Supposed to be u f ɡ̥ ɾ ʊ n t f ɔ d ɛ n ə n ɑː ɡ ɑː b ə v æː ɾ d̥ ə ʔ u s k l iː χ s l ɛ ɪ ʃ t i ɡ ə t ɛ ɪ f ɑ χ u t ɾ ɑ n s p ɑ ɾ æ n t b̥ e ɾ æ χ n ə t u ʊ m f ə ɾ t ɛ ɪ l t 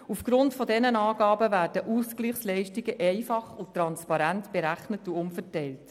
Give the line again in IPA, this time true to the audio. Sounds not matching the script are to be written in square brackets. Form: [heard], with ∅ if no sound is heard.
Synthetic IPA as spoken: u f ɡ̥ ɾ ʊ n t f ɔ d ɛ n ə n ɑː ɡ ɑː b ə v æː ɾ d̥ ə ʔ u s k l iː χ s l ɛ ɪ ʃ t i ɡ ə [ʔ] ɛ ɪ f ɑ χ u t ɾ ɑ n s p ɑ ɾ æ n t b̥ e ɾ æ χ n ə t u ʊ m f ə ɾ t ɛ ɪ l t